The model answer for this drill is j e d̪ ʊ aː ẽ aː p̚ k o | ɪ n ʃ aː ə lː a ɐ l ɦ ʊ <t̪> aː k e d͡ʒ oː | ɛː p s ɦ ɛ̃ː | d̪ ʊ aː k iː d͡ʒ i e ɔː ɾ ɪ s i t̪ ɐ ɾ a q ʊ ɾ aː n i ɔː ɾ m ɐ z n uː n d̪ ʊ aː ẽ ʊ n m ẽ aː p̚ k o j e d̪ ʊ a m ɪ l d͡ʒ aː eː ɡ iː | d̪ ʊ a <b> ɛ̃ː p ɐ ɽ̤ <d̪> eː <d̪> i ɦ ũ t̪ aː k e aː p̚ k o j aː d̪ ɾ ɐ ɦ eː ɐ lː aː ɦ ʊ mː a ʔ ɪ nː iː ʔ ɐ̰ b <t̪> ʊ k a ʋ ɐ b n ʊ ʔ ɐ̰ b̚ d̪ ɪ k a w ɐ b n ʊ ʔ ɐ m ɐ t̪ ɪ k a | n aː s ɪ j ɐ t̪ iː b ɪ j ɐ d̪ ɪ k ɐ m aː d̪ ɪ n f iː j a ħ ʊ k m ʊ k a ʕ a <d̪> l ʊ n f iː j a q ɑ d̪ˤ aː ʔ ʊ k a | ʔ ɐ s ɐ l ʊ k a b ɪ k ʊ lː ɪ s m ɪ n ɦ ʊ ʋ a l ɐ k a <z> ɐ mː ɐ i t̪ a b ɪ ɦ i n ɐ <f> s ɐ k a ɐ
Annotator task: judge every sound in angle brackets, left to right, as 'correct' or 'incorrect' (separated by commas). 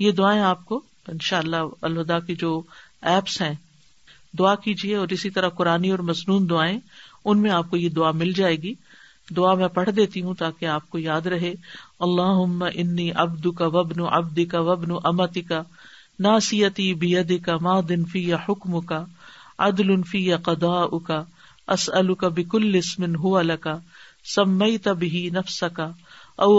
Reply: incorrect, incorrect, correct, incorrect, incorrect, correct, incorrect, correct